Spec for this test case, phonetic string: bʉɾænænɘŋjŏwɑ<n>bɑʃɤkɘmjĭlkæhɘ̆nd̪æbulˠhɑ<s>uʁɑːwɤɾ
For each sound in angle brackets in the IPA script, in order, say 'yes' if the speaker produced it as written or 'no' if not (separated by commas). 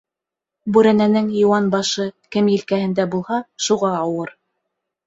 yes, no